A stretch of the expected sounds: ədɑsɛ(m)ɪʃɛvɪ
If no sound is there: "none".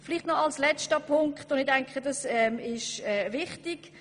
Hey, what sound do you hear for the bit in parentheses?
m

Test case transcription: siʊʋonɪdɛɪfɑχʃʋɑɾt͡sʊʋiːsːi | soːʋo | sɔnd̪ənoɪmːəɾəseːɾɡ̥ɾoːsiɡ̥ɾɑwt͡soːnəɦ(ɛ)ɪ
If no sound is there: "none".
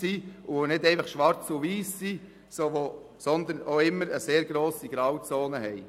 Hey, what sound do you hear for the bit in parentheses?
ɛ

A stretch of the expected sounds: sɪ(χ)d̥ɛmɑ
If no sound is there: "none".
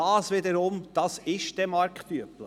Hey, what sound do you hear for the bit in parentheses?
ʃ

